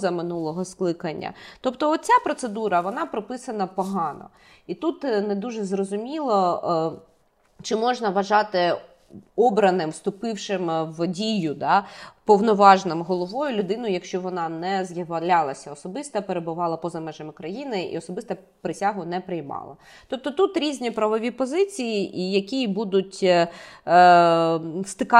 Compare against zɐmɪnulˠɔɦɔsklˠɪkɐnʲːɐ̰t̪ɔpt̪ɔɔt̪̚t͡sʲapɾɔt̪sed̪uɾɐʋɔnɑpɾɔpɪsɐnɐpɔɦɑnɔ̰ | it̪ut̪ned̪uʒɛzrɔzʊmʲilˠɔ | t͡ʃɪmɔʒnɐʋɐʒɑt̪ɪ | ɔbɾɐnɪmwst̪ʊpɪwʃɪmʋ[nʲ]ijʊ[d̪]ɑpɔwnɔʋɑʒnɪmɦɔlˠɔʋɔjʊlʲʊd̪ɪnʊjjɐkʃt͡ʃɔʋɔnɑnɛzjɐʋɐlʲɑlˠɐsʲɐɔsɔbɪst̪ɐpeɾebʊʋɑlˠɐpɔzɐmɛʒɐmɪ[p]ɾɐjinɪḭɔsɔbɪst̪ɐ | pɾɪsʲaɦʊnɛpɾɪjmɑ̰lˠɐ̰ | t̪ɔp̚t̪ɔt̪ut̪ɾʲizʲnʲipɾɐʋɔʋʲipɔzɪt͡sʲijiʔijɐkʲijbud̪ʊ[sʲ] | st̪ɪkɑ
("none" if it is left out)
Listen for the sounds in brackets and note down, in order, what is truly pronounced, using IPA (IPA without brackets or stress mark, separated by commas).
dʲ, d̪, k, tʲ